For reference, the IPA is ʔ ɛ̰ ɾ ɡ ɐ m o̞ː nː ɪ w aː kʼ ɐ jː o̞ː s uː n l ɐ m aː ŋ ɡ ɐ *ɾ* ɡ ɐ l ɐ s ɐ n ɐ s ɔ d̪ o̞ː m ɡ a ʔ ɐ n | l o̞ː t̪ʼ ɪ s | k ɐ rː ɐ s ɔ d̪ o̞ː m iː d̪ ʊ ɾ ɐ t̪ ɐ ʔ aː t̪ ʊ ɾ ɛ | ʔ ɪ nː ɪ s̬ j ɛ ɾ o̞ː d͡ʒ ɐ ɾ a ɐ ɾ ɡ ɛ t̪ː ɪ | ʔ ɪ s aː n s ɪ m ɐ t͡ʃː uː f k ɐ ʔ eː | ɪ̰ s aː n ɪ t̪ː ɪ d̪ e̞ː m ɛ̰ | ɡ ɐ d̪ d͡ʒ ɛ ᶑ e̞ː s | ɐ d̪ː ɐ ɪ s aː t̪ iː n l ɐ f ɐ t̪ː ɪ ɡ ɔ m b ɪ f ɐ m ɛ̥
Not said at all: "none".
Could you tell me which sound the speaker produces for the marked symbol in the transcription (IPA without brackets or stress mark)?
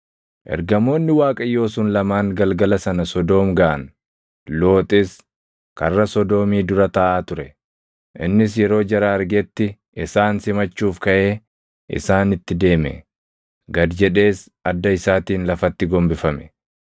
l